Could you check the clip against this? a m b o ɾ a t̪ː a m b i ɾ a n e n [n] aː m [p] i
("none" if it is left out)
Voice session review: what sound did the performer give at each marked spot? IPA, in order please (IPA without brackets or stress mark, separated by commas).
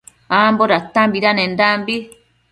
d, b